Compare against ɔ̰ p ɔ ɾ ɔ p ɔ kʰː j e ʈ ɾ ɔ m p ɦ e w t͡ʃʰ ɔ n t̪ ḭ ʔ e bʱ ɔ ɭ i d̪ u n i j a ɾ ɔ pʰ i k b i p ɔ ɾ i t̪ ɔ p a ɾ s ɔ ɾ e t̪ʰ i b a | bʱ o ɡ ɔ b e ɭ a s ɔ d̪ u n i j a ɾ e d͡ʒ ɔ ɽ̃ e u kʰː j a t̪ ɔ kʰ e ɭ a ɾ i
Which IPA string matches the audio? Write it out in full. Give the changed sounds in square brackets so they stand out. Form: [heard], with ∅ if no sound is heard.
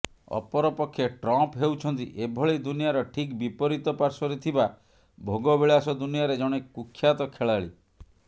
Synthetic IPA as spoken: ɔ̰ p ɔ ɾ ɔ p ɔ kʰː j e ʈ ɾ ɔ m p ɦ e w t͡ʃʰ ɔ n t̪ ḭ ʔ e bʱ ɔ ɭ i d̪ u n i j a ɾ ɔ [ʈʰ] i k b i p ɔ ɾ i t̪ ɔ p a ɾ s ɔ ɾ e t̪ʰ i b a | bʱ o ɡ ɔ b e ɭ a s ɔ d̪ u n i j a ɾ e d͡ʒ ɔ ɽ̃ e u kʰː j a t̪ ɔ kʰ e ɭ a [ɭ] i